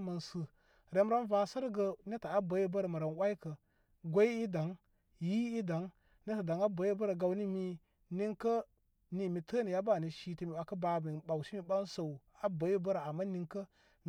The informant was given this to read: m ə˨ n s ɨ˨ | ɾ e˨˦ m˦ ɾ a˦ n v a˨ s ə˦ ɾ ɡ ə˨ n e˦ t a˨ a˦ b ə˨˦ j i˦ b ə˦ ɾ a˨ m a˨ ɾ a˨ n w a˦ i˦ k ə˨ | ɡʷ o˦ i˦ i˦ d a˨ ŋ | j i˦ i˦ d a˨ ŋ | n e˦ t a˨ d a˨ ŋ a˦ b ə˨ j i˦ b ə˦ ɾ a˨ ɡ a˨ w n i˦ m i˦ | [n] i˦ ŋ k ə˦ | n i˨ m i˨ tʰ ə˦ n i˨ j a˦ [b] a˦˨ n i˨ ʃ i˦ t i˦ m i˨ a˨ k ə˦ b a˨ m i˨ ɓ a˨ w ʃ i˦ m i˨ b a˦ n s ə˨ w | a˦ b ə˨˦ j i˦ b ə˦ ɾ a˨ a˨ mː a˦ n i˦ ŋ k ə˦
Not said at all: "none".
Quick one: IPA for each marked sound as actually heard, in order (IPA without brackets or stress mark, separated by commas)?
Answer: n, b